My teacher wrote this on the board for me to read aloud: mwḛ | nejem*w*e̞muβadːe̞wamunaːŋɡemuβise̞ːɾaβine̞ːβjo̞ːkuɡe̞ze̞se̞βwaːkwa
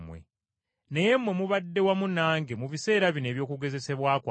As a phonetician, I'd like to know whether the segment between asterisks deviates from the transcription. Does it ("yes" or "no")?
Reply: no